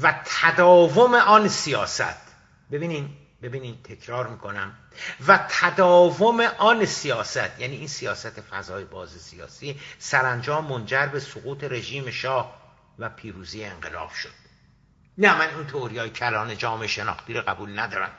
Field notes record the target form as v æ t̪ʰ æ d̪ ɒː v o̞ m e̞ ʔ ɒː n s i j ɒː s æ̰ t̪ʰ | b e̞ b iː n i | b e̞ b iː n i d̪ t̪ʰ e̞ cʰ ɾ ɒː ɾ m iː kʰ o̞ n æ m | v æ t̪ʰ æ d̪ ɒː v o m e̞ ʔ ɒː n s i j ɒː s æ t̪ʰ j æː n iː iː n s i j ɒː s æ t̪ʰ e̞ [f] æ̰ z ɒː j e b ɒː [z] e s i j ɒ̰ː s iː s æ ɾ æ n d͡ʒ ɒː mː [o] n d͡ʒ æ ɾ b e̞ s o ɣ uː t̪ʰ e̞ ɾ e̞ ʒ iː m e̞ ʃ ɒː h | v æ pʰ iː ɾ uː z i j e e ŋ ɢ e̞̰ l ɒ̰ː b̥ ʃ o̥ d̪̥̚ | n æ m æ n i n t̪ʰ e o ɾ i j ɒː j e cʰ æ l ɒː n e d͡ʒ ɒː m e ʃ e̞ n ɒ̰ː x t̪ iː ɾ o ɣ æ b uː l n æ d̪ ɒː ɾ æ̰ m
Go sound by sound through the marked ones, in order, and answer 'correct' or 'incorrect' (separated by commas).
correct, correct, correct